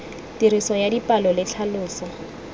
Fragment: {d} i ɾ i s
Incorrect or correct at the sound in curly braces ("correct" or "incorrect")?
incorrect